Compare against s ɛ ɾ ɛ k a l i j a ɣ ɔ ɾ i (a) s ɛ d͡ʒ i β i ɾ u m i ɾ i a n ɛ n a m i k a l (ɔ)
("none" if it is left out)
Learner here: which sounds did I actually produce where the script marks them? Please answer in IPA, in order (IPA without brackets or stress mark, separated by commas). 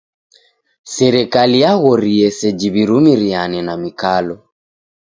ɛ, ɔ